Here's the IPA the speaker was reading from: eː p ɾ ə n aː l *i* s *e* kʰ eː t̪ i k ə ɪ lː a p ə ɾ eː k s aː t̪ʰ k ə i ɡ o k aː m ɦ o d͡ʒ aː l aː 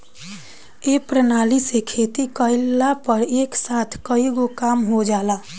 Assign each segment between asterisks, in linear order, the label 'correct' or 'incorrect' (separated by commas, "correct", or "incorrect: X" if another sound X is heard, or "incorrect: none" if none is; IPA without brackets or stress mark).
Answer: correct, correct